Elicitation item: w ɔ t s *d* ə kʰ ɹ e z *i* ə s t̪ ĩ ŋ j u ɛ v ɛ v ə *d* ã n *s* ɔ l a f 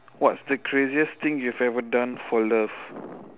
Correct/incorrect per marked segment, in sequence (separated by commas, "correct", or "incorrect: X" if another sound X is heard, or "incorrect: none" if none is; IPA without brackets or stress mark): correct, correct, correct, incorrect: f